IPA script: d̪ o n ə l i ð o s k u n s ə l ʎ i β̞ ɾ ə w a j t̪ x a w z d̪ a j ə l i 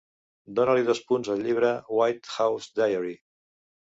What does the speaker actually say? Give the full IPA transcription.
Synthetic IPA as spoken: d̪ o n ə l i ð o s p u n z ə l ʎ i β̞ ɾ ə w a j t̪ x a w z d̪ a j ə ɾ i